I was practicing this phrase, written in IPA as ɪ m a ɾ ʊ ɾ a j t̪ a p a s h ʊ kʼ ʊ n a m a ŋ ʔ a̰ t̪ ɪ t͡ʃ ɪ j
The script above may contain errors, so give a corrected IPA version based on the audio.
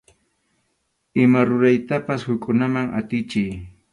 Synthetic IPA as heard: ɪ m a ɾ ʊ ɾ a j t̪ a p a s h ʊ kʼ ʊ n a m a ŋ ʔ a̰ t̪ ɪ t͡ʃ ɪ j